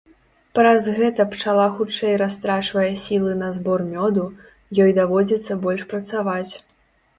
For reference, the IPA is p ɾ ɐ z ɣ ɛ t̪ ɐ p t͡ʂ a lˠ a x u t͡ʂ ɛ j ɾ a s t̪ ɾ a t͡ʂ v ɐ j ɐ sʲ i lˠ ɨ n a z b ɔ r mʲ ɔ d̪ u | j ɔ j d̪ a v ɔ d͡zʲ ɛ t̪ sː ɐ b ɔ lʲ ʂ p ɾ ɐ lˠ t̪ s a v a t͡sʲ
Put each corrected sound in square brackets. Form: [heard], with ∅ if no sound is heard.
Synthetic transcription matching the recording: p ɾ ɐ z ɣ ɛ t̪ ɐ p t͡ʂ a lˠ a x u t͡ʂ ɛ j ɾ a s t̪ ɾ a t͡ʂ v ɐ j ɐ sʲ i lˠ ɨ n [ɐ] z b ɔ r mʲ ɔ d̪ u | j ɔ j d̪ a v ɔ d͡zʲ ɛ t̪ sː ɐ b ɔ lʲ ʂ p ɾ ɐ [∅] t̪ s a v a t͡sʲ